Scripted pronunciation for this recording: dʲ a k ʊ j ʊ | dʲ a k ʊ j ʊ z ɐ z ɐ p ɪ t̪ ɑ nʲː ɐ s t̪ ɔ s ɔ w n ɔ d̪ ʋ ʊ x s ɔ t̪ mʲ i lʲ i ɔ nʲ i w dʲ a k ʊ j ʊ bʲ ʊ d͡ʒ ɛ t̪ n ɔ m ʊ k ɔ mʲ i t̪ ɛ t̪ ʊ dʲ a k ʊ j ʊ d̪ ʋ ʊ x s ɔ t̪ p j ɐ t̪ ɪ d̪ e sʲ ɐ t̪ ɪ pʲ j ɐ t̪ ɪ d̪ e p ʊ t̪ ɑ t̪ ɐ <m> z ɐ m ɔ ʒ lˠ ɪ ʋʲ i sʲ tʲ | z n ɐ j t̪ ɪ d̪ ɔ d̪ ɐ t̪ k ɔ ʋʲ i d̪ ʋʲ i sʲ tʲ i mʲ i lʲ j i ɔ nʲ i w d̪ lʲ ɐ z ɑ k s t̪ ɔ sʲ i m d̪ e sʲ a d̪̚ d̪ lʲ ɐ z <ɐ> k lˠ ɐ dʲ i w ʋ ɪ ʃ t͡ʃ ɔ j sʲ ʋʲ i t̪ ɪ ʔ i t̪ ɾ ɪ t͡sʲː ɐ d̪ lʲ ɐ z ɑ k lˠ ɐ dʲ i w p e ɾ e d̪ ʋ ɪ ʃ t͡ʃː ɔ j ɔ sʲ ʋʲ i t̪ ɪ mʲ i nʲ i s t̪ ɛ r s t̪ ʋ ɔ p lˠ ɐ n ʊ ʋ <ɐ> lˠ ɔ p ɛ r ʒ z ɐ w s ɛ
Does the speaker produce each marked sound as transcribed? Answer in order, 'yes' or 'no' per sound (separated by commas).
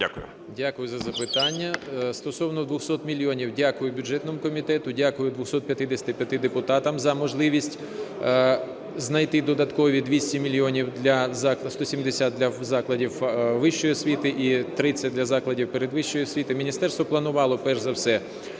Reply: yes, no, no